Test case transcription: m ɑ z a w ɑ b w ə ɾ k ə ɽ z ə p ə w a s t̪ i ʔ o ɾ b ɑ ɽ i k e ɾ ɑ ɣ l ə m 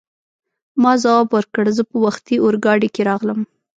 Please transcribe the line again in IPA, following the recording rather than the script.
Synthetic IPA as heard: m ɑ z a w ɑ b w ə ɾ k ə ɽ z ə p ə w a x t̪ i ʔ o ɾ ɡ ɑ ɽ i k e ɾ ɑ ɣ l ə m